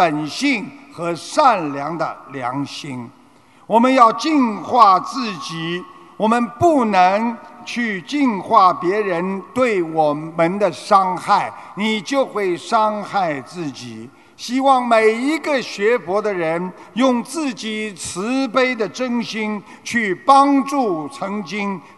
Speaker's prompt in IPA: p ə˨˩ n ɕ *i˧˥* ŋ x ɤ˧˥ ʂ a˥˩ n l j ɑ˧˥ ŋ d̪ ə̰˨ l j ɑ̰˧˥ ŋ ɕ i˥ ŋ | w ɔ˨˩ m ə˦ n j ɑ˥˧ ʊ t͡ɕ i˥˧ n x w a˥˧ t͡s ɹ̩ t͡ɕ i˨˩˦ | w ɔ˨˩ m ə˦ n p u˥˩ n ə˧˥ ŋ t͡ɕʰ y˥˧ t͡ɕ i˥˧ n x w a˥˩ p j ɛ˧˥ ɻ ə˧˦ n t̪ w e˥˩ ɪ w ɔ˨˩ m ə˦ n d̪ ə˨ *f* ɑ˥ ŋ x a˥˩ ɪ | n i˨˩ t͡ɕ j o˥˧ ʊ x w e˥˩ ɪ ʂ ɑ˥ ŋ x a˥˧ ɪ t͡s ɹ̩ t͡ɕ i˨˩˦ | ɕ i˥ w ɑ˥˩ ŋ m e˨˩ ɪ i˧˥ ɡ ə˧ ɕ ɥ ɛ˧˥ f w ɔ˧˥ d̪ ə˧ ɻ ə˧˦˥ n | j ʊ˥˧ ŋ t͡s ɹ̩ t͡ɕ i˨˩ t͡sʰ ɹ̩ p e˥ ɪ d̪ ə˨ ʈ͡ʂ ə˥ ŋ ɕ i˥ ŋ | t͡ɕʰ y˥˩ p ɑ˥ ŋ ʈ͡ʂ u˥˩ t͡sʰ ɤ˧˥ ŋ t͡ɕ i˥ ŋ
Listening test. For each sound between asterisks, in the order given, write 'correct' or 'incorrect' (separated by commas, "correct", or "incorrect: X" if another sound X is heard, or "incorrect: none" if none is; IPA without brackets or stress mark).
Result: incorrect: i˥˩, incorrect: ʂ